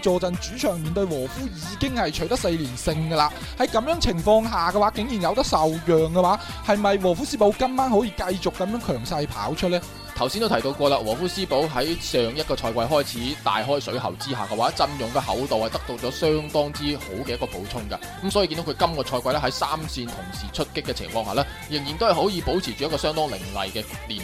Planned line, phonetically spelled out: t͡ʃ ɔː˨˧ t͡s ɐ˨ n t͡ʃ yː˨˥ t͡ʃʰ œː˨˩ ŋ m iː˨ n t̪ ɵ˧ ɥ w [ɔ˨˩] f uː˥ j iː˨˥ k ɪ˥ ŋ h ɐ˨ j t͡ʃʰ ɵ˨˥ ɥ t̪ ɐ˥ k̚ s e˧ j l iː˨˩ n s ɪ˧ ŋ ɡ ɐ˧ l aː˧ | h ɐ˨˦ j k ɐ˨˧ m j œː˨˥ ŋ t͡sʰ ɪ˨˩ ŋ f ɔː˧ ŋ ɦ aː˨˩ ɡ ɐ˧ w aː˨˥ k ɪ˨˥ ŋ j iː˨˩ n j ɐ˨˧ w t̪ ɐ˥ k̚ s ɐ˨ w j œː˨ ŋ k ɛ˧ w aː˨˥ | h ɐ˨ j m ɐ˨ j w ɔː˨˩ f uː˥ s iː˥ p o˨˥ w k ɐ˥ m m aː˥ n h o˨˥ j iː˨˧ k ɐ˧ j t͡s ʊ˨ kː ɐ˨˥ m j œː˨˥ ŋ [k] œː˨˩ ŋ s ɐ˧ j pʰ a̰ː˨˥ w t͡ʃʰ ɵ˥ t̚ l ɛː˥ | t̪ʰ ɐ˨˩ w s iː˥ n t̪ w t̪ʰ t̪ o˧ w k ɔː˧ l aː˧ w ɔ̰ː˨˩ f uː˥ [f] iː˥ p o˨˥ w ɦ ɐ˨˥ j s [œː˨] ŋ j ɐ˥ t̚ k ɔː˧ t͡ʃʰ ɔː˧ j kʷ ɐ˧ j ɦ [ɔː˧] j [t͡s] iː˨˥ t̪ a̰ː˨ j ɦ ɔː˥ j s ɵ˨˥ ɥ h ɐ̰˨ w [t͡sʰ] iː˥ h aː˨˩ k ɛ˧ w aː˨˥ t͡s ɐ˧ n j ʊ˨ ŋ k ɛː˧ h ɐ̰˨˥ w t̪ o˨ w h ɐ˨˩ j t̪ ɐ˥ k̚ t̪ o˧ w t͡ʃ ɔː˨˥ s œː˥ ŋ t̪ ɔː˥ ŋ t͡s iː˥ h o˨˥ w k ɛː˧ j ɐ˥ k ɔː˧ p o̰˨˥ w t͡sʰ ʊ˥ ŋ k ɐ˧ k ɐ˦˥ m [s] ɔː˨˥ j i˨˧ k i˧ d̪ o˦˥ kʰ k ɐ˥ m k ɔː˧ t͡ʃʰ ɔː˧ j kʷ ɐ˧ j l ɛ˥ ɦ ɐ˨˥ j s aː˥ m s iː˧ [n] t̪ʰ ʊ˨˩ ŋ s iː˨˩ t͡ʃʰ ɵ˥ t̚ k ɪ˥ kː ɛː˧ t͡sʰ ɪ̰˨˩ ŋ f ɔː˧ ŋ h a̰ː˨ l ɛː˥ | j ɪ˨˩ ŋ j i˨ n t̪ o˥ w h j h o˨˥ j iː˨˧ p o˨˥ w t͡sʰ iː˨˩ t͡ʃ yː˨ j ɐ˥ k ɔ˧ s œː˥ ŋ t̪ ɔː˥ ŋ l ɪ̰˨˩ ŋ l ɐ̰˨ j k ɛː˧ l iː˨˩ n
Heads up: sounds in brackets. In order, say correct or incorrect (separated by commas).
incorrect, incorrect, incorrect, correct, incorrect, incorrect, incorrect, correct, correct